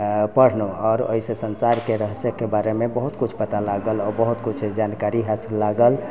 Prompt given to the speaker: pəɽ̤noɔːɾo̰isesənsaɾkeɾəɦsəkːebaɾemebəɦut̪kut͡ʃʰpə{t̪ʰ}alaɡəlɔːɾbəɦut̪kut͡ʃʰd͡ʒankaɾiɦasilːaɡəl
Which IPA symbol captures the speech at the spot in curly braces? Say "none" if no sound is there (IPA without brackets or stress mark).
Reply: t̪